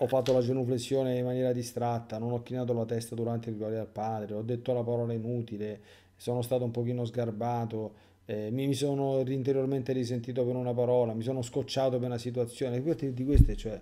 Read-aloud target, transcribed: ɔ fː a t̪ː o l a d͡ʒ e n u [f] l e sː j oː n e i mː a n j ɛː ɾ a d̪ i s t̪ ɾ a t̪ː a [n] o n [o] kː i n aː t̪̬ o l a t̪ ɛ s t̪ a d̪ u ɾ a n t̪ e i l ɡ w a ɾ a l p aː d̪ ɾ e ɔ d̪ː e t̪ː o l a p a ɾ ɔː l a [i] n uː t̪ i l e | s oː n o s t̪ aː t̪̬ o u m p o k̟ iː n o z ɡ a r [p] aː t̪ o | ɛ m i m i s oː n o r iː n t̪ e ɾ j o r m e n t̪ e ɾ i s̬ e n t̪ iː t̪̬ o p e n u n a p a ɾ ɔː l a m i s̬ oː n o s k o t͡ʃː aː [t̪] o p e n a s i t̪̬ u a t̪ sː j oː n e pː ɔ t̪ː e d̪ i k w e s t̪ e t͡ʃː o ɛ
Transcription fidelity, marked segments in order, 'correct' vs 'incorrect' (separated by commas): correct, correct, incorrect, correct, incorrect, correct